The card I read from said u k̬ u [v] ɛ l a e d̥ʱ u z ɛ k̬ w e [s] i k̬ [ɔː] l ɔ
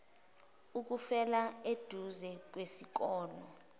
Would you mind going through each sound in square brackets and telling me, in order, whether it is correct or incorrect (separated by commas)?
incorrect, correct, correct